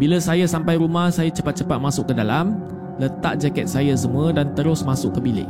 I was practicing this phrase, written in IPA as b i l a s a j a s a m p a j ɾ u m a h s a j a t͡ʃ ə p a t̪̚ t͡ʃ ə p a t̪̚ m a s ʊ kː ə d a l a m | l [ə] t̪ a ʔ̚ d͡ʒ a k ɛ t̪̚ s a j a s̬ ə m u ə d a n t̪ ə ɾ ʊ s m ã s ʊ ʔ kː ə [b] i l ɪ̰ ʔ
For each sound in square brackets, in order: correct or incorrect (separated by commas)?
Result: correct, correct